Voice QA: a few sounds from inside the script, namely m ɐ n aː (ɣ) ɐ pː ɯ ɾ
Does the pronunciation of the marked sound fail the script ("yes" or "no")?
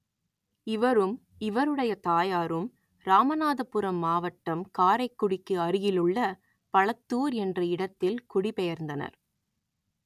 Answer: yes